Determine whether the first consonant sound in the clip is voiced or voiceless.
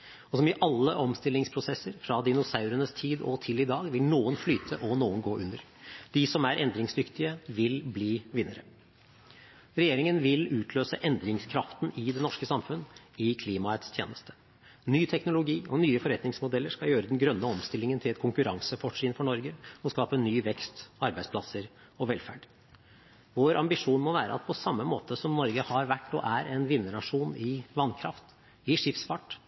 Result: voiceless